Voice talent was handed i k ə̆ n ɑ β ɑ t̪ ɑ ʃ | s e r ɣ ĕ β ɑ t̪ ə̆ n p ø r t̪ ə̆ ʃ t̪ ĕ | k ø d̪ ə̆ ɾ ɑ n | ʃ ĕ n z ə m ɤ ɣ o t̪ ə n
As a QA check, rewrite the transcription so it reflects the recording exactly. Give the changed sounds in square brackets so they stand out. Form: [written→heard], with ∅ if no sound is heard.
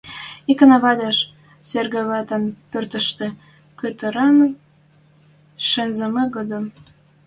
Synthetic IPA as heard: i k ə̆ n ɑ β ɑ [t̪→d̪] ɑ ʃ | s e r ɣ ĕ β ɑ t̪ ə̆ n p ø r t̪ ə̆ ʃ t̪ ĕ | k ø [d̪→t̪] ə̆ ɾ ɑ n | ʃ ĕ n z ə m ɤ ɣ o [t̪→d̪] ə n